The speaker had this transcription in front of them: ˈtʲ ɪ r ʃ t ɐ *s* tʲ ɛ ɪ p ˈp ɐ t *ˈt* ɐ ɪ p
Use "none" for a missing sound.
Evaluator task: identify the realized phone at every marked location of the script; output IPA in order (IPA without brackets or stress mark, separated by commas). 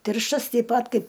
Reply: s, k